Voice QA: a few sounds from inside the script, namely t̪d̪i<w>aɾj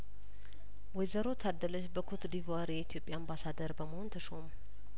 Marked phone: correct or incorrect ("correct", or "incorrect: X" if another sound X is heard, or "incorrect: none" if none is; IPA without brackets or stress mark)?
incorrect: v